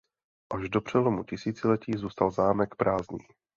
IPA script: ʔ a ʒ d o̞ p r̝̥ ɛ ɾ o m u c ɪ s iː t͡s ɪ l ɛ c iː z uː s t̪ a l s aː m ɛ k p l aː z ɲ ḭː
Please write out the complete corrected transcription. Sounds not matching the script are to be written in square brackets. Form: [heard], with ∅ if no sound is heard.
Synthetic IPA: ʔ a ʒ d o̞ p r̝̥ ɛ [l] o m u c ɪ s iː t͡s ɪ l ɛ c iː z uː s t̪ a l [z] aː m ɛ k p [ɾ] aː z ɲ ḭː